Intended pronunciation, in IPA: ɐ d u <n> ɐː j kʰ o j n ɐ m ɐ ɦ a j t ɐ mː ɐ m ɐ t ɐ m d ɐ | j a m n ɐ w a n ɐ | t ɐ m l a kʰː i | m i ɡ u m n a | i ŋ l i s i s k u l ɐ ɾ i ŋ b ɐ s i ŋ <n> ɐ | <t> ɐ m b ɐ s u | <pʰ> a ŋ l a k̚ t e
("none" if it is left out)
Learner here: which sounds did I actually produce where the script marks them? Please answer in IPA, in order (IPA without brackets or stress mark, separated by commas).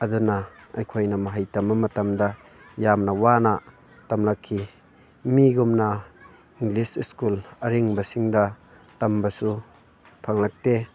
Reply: n, d, t, pʰ